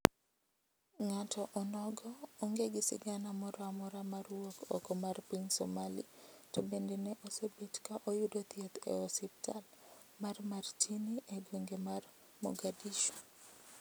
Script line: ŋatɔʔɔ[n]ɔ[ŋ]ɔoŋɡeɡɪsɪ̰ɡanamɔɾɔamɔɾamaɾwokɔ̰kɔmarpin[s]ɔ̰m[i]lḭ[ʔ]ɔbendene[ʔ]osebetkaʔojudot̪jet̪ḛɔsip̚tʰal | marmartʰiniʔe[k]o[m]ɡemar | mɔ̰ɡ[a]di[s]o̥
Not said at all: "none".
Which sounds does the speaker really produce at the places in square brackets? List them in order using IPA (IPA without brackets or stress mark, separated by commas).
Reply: n, ɡ, s, a, t, ʔ, ɡ, ŋ, a, ʃ